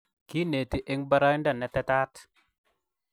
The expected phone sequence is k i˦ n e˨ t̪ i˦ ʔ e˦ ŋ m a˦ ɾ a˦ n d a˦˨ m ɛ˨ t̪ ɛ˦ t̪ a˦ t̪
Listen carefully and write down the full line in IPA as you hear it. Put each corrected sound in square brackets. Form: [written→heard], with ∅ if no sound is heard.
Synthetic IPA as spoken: k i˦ n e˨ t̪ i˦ ʔ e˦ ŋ [m→b] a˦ ɾ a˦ n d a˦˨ [m→n] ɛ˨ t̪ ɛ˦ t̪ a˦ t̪